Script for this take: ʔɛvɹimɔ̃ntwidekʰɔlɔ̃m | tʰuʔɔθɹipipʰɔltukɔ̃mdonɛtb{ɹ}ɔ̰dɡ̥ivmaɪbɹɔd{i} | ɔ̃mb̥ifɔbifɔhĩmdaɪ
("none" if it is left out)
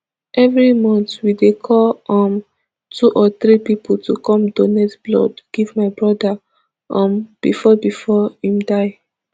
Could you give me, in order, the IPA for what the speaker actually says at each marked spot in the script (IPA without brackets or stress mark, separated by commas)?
l, a